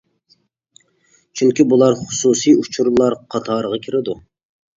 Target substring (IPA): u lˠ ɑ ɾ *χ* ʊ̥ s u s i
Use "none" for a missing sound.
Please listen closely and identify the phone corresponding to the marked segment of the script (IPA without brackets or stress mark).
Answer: χ